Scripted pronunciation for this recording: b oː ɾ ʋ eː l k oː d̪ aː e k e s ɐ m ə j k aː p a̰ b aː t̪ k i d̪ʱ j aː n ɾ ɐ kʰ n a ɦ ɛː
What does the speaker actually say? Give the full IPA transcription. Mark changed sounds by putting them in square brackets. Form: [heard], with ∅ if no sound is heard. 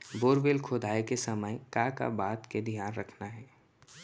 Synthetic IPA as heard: b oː ɾ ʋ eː l [kʰ] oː d̪ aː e k e s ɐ m ə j k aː [k] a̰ b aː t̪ k [e] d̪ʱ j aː n ɾ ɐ kʰ n a ɦ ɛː

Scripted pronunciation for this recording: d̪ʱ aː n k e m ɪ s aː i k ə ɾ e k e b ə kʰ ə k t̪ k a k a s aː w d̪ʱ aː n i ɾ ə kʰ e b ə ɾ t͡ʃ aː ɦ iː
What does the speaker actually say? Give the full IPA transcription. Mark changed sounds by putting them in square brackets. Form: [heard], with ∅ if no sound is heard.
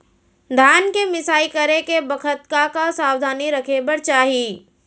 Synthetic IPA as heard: d̪ʱ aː n k e m ɪ s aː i k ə ɾ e k e b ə kʰ ə [∅] t̪ k a k a s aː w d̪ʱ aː n i ɾ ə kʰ e b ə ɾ t͡ʃ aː ɦ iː

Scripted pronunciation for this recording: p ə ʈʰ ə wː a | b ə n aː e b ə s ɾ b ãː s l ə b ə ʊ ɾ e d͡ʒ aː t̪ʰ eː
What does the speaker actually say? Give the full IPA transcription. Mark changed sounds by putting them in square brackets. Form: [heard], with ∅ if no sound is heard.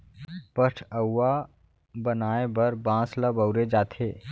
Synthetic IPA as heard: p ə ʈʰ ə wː a | b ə n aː e b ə [∅] ɾ b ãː s l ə b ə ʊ ɾ e d͡ʒ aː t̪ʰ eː

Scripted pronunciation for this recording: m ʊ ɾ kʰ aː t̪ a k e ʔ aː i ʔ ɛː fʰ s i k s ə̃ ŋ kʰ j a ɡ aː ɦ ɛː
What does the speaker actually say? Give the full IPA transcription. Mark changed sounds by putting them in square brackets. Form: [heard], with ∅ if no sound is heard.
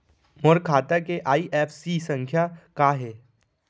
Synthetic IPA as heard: m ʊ ɾ kʰ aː t̪ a k e ʔ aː i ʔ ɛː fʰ s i [∅] s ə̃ ŋ kʰ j a [k] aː ɦ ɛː

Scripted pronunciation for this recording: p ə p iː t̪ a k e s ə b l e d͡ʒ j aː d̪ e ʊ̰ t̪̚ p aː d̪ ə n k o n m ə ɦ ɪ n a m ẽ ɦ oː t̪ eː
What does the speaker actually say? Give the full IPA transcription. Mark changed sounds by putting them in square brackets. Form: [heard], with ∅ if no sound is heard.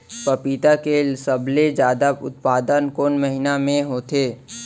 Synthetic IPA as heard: p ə p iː t̪ a k e s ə b l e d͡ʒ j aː d̪ [a] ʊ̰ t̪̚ p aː d̪ ə n k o n m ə ɦ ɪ n a m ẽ ɦ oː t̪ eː

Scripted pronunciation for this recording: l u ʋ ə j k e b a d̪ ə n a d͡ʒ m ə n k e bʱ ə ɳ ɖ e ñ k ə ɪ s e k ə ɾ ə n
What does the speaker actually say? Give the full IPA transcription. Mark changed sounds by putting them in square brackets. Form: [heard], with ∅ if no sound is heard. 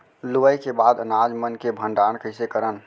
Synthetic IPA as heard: l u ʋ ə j k e b a d̪ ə n a d͡ʒ m ə n k e bʱ ə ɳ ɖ [a] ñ k ə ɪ s e k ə ɾ ə n

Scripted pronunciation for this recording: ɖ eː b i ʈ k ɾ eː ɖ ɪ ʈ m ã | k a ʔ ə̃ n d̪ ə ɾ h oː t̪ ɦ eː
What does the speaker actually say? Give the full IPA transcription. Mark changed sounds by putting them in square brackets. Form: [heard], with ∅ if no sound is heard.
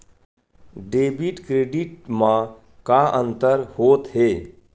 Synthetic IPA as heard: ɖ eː b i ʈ k ɾ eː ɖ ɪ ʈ m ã | k a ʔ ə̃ n [t̪] ə ɾ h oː t̪ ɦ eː

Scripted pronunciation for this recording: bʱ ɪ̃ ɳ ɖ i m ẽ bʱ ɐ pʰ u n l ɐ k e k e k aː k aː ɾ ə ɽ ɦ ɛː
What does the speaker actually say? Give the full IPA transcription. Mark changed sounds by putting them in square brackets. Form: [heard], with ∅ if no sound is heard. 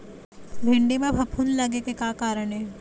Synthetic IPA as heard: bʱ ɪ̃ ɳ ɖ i m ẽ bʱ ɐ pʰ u n l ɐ [ɡ] e k e k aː k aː ɾ ə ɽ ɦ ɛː

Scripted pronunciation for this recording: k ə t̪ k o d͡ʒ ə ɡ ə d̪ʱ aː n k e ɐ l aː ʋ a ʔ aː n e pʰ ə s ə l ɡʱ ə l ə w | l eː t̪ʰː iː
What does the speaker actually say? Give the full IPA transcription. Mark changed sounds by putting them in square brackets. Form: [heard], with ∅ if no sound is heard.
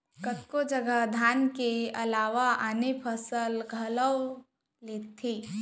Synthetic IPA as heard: k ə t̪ k o d͡ʒ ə ɡ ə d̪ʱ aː n k e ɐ l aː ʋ a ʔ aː n e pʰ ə s ə l ɡʱ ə l ə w | l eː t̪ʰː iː

